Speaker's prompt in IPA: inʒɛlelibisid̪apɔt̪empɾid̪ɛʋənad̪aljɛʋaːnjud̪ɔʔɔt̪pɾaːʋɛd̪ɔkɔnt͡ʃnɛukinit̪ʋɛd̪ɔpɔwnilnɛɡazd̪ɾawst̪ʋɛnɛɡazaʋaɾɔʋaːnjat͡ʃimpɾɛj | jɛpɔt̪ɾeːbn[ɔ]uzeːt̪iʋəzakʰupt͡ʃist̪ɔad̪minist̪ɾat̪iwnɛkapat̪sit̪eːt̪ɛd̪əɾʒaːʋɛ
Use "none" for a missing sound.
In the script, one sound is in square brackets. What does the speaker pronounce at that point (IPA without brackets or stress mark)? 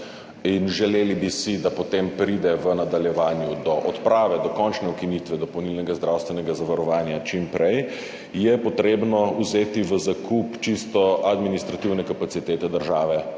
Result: ɔ